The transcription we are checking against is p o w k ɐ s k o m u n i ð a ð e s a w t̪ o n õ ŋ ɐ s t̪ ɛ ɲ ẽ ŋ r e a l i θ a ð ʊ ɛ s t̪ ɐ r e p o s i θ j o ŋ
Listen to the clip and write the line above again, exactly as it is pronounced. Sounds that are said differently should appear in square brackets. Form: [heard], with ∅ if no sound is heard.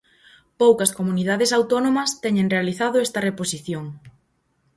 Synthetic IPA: p o w k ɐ s k o m u n i ð a ð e s a w t̪ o n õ [m] ɐ s t̪ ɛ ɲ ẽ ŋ r e a l i θ a ð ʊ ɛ s t̪ ɐ r e p o s i θ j o ŋ